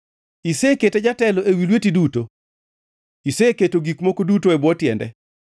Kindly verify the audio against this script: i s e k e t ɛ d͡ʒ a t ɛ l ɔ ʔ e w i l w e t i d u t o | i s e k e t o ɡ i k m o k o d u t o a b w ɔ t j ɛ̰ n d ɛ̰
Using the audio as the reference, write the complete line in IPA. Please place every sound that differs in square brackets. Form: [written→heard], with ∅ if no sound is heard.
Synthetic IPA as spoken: i s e k e t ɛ d͡ʒ a t ɛ l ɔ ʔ e w i l w e t i d u t o | i s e k e t o ɡ i k m o k o d u t o [a→ɛ] b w ɔ t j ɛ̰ n d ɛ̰